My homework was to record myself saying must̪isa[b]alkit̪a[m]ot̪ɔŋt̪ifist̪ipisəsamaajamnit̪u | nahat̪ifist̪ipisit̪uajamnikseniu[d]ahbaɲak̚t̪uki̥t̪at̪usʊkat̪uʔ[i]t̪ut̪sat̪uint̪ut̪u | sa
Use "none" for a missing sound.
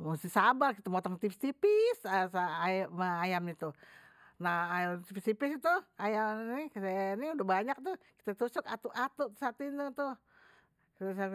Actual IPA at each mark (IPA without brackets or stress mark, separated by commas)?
b, m, d, a